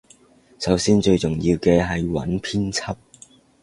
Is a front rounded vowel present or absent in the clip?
absent